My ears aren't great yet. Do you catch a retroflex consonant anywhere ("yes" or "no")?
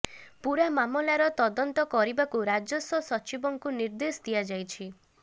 no